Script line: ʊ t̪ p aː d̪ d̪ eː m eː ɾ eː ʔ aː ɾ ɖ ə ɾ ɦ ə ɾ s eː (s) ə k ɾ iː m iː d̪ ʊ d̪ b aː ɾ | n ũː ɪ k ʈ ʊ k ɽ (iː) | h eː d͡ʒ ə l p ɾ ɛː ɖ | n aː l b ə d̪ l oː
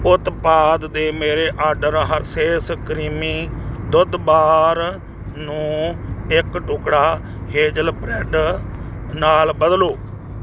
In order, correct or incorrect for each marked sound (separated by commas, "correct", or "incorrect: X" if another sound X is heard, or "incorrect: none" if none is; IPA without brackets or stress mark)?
correct, incorrect: aː